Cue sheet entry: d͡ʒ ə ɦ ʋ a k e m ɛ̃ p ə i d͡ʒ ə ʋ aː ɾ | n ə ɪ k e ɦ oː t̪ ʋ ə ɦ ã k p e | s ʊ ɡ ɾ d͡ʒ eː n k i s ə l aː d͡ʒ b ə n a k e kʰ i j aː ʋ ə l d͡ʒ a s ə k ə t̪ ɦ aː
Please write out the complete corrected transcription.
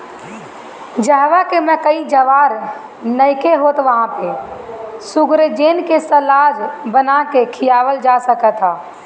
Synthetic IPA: d͡ʒ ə ɦ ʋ a k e m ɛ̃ k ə i d͡ʒ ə ʋ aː ɾ | n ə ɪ k e ɦ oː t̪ ʋ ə ɦ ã p e | s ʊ ɡ ɾ d͡ʒ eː n k e s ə l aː d͡ʒ b ə n a k e kʰ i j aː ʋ ə l d͡ʒ a s ə k ə t̪ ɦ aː